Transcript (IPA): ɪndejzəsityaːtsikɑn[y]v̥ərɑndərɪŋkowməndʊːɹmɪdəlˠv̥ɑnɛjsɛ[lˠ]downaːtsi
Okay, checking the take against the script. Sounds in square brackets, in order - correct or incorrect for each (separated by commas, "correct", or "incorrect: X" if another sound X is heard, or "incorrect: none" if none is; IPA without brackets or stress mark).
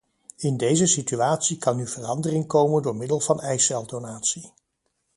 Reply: correct, correct